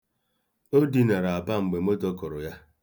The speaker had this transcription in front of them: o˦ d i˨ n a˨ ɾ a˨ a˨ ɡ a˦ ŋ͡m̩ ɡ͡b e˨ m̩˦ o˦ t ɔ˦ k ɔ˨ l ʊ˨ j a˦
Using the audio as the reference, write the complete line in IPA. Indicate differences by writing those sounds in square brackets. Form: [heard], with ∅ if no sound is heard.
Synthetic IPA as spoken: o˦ d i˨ n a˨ ɾ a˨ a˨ [b] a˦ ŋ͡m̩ ɡ͡b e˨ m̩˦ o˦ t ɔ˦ k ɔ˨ [ɾ] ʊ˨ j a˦

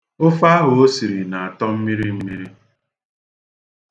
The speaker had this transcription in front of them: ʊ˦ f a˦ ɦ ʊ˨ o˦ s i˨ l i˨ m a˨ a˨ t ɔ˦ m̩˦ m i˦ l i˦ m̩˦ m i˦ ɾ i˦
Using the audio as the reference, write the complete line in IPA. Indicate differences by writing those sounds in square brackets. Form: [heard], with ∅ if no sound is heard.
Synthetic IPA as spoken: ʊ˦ f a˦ ɦ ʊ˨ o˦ s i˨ [ɾ] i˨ [n] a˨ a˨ t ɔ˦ m̩˦ m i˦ [ɾ] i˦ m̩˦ m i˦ ɾ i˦

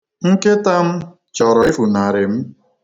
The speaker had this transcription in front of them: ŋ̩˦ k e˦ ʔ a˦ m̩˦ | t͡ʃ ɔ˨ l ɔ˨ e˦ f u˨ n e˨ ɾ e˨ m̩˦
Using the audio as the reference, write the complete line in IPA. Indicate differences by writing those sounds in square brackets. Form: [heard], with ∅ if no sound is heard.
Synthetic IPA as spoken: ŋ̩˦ k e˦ [t] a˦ m̩˦ | t͡ʃ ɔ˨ [ɾ] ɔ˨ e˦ f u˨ n [a˨] ɾ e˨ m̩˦

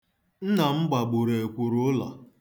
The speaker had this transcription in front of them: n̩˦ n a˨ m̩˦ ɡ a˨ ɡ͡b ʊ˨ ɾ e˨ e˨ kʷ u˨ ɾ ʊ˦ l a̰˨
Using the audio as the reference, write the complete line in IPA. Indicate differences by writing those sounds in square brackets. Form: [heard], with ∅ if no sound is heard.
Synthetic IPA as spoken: n̩˦ n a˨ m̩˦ [ɡ͡b] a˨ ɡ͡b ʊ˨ ɾ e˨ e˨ kʷ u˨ ɾ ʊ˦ l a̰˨

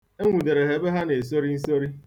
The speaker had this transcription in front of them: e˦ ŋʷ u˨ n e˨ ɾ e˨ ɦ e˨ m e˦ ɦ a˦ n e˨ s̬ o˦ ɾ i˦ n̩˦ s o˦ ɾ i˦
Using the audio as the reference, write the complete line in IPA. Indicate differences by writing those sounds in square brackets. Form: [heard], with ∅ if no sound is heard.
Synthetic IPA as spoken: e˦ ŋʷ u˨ [d] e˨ ɾ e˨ ɦ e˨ [b] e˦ ɦ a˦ n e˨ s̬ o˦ ɾ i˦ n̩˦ s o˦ ɾ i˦

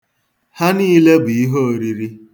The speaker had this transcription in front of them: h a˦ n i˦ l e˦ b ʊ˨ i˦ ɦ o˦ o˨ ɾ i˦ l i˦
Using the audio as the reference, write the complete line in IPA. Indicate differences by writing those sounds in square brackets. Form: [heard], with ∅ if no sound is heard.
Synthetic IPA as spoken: h a˦ n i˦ l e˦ b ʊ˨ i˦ ɦ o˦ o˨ ɾ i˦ [ɾ] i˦

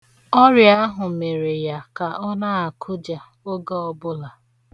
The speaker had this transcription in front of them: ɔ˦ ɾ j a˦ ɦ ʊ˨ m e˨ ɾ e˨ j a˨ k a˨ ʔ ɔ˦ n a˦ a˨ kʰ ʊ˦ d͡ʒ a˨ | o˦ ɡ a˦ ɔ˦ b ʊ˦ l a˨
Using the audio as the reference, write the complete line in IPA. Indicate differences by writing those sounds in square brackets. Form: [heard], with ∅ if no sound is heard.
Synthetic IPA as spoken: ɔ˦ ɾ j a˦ ɦ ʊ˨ m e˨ ɾ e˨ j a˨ k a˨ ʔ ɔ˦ n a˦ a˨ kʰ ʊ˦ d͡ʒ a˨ | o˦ ɡ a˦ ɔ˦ b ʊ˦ l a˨

